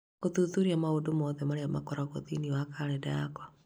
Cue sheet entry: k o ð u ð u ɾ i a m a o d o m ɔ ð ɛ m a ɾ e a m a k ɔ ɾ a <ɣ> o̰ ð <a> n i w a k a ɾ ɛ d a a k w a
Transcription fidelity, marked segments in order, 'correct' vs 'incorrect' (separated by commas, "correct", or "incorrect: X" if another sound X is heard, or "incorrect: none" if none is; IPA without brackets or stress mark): correct, incorrect: i